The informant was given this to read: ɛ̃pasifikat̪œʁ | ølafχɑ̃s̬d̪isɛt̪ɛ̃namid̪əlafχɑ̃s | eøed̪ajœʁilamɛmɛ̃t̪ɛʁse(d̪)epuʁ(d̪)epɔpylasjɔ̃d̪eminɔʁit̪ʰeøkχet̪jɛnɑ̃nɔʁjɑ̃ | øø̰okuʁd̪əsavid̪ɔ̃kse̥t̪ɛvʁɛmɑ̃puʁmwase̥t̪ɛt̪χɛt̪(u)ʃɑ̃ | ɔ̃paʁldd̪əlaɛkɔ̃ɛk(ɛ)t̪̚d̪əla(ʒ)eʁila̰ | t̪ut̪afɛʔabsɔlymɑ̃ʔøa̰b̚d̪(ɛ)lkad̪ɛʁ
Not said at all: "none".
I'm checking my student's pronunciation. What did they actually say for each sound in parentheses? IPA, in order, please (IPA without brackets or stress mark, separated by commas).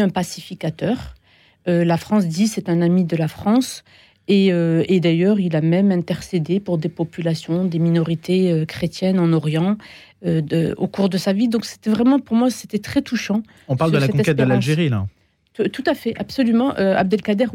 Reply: d̪, d̪, u, ɛ, ʒ, ɛ